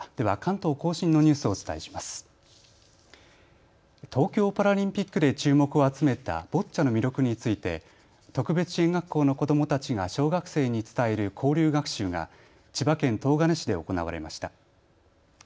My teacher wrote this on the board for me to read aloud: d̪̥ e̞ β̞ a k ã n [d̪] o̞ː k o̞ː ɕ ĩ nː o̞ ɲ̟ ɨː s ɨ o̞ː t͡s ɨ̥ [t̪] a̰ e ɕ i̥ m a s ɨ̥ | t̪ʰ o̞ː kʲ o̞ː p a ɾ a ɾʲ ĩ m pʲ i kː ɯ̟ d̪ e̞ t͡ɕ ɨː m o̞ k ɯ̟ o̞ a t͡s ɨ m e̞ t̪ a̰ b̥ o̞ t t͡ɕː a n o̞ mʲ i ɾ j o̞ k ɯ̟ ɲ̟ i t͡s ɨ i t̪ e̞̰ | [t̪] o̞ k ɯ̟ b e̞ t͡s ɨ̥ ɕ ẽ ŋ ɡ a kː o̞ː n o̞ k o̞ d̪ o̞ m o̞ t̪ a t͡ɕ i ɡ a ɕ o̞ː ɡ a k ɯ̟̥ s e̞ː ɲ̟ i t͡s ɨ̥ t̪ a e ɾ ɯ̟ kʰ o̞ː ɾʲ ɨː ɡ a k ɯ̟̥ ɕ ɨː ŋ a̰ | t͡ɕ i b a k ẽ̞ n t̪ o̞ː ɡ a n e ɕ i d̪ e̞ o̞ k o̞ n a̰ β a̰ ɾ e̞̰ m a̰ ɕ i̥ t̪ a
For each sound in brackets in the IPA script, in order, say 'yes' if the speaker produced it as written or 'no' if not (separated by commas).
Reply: no, yes, yes